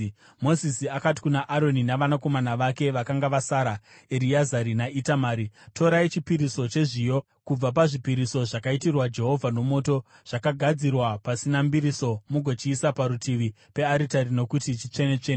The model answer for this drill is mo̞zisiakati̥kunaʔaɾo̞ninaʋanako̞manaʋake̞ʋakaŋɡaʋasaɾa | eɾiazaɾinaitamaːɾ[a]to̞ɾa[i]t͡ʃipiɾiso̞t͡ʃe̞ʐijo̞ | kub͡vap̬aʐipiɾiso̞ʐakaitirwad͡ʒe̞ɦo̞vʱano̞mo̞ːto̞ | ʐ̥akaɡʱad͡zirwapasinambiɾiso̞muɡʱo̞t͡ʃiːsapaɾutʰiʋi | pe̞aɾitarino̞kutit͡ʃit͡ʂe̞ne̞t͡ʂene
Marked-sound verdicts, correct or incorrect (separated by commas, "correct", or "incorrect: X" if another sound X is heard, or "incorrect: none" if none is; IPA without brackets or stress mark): incorrect: i, correct